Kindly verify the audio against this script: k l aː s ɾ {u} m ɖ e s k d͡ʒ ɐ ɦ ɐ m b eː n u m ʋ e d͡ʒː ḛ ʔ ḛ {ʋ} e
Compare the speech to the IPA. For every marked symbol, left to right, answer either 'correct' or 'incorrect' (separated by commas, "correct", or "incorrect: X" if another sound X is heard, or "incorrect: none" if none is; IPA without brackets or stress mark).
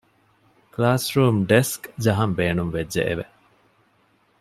incorrect: uː, correct